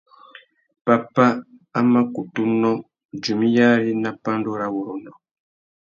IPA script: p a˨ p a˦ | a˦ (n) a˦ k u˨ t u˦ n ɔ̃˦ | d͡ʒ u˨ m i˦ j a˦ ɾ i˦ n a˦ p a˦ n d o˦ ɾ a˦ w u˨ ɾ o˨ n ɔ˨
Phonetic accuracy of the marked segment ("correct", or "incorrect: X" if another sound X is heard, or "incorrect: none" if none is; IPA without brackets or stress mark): incorrect: m